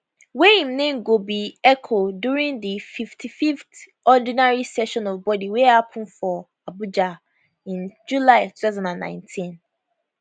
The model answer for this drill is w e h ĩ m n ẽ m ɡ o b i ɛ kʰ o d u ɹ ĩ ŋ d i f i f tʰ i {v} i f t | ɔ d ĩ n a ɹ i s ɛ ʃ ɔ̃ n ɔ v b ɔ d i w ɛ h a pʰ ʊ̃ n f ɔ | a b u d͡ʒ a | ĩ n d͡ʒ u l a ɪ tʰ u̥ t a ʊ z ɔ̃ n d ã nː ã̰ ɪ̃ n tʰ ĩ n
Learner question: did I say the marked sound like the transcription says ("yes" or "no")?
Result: no